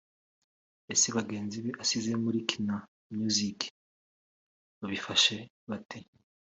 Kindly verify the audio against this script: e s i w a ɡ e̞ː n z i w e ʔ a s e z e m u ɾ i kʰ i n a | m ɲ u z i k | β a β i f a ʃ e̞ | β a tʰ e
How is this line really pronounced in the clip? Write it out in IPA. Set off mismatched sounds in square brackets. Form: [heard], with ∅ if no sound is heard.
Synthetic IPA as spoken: e s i [β] a ɡ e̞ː n z i [β] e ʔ a s [i] z e m u ɾ i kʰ i n a | m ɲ u z i k | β a β i f a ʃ e̞ | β a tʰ e